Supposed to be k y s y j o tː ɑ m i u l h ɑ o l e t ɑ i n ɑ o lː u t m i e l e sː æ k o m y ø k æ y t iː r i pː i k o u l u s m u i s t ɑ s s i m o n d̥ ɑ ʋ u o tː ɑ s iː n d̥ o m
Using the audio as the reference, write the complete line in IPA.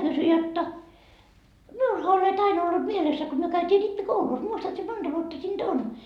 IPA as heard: k y s y j o tː ɑ m i u l h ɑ o l e t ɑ i n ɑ o lː u t m i e l e sː æ k o m y ø k æ y t iː r i pː i k o u l u s m u i s t ɑ t s i m o n d̥ ɑ ʋ u o tː ɑ s iː n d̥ o n

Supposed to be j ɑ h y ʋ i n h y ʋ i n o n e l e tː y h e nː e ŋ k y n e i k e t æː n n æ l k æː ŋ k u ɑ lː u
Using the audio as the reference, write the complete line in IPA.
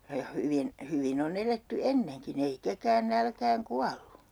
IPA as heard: j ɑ h y ʋ i n h y ʋ i n o n e l e tː y e nː e ŋ k i n e i k e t æː n n æ l k æː ŋ k u ɑ lː u

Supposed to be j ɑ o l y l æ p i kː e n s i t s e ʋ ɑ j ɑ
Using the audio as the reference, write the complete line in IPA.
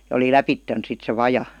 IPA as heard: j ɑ o l i l æ p i tː e n s i t s e ʋ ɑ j ɑ

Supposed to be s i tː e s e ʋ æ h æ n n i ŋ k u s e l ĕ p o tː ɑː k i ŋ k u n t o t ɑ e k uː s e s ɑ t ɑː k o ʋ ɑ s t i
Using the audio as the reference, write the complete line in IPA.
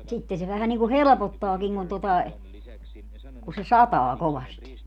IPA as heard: s i tː e s e ʋ æ h æ n n i ŋ k u h e l ĕ p o tː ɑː k i ŋ k u n t o t ɑ e k u s e s ɑ t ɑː k o ʋ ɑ s t i

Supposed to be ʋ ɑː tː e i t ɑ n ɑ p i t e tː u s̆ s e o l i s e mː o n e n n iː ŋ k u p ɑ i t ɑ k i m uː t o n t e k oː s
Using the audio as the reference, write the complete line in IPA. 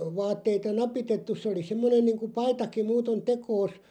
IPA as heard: ʋ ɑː tː e i t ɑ n ɑ p i t e tː u s̆ s e o l i s e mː o n e n n iː ŋ k u p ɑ i t ɑ k i m uː t o n t e k oː s

